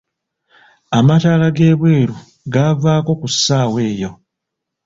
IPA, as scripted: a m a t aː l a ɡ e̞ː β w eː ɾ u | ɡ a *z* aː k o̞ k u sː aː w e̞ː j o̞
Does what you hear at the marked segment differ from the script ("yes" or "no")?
yes